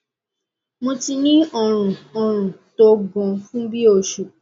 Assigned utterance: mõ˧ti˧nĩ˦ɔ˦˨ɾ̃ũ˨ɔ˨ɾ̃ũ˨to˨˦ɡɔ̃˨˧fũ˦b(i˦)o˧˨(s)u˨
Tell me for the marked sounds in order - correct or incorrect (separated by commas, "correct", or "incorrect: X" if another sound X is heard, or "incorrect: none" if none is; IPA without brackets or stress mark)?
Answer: correct, incorrect: ʃ